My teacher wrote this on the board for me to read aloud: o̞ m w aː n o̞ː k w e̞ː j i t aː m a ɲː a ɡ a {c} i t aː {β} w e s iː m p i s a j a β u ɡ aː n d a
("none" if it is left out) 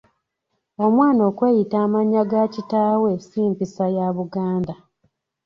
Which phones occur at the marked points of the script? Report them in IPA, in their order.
c, none

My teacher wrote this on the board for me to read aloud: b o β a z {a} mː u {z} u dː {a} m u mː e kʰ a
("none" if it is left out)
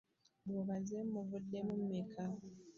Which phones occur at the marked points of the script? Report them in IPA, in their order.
e, v, e

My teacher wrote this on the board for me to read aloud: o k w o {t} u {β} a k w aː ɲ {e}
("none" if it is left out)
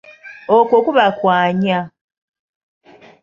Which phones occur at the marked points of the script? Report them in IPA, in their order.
k, β, a

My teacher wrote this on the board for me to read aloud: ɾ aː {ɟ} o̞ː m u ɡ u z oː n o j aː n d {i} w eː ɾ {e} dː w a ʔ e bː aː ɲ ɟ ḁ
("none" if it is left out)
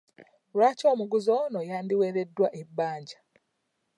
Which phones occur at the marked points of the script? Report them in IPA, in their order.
c, i, e

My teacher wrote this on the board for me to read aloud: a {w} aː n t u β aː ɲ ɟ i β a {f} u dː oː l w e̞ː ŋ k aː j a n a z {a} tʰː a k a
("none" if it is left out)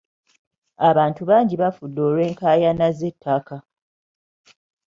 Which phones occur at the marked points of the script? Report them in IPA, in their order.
β, f, e

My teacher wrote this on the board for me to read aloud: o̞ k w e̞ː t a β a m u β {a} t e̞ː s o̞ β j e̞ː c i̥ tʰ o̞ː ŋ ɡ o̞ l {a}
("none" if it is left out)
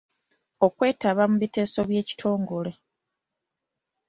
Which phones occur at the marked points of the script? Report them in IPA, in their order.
i, e

